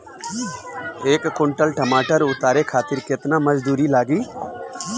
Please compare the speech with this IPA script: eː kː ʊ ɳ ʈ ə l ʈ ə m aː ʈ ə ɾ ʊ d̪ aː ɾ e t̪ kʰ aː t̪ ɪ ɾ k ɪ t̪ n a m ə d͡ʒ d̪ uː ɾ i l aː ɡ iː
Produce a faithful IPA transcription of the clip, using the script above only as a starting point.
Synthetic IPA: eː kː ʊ ɳ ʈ ə l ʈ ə m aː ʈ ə ɾ ʊ t̪ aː ɾ e kʰ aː t̪ ɪ ɾ k ɪ t̪ n a m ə d͡ʒ d̪ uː ɾ i l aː ɡ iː